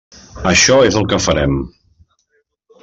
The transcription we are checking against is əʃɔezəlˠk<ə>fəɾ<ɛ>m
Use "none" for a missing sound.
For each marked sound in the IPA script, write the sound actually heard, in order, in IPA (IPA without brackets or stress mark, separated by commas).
ə, ɛ